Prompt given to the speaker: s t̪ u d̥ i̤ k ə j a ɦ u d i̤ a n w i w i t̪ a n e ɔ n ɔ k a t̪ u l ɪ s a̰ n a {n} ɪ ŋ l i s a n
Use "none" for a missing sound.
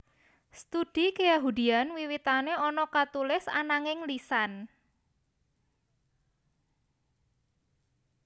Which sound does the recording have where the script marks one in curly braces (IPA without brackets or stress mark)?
ŋ